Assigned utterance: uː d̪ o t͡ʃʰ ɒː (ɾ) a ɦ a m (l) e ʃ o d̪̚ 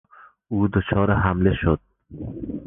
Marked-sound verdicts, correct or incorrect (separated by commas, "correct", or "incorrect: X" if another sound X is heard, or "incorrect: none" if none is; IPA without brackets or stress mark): correct, correct